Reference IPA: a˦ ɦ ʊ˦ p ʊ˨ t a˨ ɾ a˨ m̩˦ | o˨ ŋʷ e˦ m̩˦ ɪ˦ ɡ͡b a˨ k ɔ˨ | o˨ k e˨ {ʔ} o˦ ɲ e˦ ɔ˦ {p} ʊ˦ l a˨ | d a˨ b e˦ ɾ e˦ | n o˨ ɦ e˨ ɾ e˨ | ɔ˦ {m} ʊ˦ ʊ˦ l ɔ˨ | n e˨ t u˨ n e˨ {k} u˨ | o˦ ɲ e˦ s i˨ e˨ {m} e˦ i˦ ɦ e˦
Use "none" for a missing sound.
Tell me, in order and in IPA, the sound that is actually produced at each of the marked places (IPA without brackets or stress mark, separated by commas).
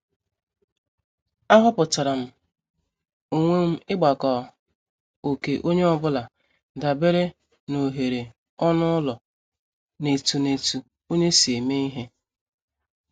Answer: ʔ, b, n, t, m